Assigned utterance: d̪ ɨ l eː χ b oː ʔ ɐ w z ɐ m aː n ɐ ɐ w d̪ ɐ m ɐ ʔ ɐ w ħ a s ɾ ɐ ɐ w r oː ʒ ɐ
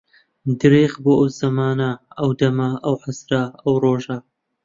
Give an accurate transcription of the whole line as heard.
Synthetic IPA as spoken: d̪ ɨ ɾ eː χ b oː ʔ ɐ w z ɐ m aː n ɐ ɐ w d̪ ɐ m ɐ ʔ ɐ w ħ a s ɾ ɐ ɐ w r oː ʒ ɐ